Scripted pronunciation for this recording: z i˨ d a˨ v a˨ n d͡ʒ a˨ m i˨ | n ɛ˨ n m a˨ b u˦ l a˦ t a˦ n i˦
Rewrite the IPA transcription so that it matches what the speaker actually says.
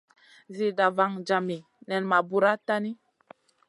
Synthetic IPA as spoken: z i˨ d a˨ v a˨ ŋ d͡ʒ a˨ m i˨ | n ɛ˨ n m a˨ b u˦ ɾ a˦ t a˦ n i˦